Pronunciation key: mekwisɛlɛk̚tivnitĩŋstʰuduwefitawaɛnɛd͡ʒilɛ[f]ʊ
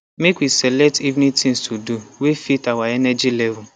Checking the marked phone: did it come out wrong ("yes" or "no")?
yes